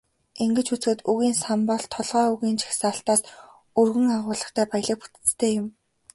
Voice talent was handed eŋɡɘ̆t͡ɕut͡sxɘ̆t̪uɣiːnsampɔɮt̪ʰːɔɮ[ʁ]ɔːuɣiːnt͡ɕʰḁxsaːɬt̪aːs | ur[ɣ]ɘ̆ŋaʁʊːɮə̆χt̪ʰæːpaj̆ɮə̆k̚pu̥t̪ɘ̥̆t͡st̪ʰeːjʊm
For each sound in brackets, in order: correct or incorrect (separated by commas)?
correct, correct